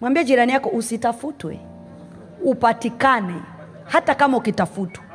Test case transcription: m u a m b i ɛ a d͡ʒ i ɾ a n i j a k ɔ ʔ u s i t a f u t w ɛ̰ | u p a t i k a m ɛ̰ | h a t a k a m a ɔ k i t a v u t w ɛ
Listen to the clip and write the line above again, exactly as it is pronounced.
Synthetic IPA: m w a m b i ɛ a d͡ʒ i ɾ a n i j a k ɔ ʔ u s i t a f u t w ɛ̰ | u p a t i k a n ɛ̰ | h a t a k a m a u k i t a f u t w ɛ